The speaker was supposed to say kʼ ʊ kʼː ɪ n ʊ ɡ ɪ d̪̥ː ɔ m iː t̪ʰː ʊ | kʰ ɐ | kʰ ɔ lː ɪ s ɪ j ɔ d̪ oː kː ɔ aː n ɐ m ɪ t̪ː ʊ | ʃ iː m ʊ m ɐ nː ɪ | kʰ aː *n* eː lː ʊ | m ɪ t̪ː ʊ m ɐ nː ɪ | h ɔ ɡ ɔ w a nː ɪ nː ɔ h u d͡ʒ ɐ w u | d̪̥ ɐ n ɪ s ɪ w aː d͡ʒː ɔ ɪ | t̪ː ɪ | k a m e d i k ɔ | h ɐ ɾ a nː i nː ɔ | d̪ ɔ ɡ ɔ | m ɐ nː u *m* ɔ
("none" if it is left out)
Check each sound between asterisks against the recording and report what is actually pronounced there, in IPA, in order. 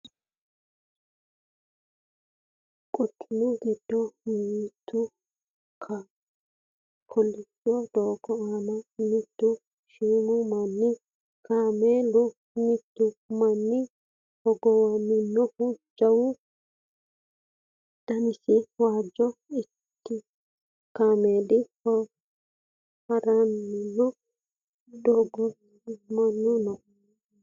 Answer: m, n

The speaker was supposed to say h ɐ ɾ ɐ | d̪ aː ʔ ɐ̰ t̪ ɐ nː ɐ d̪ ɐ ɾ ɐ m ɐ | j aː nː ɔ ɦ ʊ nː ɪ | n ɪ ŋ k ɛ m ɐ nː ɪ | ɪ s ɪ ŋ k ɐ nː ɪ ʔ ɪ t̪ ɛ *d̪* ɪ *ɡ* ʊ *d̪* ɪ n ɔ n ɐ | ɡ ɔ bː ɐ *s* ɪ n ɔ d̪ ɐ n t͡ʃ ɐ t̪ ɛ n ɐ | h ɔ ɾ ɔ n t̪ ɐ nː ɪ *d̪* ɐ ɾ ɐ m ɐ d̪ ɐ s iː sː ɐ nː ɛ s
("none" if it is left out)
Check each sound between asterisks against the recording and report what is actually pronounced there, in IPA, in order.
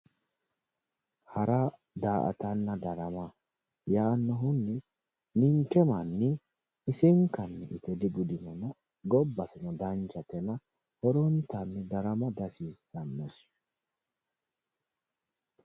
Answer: d̪, ɡ, d̪, s, d̪

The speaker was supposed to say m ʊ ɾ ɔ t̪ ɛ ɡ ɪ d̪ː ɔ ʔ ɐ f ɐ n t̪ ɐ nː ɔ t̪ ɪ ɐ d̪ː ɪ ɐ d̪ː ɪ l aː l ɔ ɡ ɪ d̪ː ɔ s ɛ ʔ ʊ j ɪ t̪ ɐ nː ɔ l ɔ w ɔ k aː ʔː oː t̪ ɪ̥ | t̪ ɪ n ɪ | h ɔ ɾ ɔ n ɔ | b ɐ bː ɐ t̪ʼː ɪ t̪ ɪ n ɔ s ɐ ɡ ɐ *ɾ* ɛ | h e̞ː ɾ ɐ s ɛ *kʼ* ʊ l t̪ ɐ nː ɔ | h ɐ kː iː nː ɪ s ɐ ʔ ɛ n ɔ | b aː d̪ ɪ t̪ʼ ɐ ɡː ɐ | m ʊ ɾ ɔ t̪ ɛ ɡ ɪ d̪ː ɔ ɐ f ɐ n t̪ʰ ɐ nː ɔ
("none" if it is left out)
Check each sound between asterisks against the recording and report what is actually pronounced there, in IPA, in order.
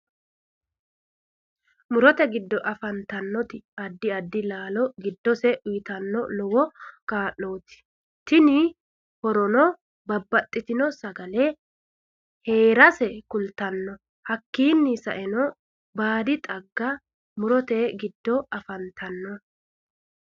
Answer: l, k

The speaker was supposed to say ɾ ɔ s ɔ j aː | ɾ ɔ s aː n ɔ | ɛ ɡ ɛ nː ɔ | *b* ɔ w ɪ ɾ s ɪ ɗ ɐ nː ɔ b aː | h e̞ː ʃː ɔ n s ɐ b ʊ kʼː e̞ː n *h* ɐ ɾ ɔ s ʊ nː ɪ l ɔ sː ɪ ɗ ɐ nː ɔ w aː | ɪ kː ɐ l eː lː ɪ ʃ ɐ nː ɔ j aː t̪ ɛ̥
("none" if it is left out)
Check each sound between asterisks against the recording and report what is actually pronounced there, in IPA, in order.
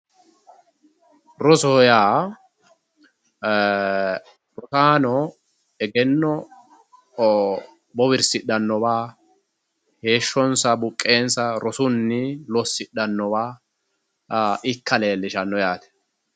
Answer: b, s

